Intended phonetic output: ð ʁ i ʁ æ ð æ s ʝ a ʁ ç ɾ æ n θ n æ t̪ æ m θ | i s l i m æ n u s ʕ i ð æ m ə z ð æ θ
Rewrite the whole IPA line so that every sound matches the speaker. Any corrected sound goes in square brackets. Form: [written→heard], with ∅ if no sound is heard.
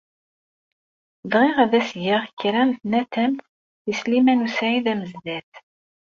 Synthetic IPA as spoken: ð ʁ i ʁ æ ð æ s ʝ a ʁ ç ɾ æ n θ n æ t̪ æ m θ | i s l i m æ n u s ʕ i ð æ m ə z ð æ θ